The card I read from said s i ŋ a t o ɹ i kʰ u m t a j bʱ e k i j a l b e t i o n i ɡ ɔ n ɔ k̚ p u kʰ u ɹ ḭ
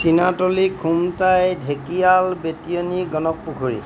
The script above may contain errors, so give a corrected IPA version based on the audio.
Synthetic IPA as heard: s i n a t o l i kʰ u m t a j dʱ e k i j a l b e t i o n i ɡ ɔ n ɔ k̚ p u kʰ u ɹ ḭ